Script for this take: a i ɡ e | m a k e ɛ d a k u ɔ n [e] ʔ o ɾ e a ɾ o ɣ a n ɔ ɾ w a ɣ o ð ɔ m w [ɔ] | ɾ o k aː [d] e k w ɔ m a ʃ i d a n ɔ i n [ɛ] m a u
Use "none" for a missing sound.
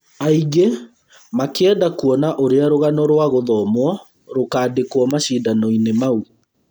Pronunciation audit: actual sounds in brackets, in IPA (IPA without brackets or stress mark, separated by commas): a, ɔ, d, e